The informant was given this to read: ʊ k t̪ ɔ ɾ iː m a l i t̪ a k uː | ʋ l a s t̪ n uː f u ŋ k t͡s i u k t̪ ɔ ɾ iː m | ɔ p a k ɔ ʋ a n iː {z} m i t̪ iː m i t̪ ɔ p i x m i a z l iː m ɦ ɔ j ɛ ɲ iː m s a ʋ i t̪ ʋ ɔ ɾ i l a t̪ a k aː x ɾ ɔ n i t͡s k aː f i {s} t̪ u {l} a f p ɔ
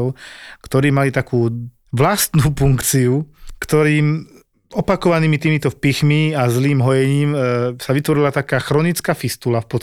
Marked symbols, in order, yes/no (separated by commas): no, yes, yes